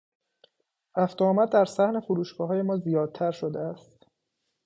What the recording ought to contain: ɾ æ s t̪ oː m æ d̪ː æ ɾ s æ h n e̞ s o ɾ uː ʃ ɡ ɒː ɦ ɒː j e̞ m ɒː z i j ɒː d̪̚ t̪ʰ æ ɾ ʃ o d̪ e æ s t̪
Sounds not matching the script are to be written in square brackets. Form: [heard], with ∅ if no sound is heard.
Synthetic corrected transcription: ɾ æ [f] t̪ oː m æ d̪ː æ ɾ s æ h n e̞ [f] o ɾ uː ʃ ɡ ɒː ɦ ɒː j e̞ m ɒː z i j ɒː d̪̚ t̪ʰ æ ɾ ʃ o d̪ e æ s t̪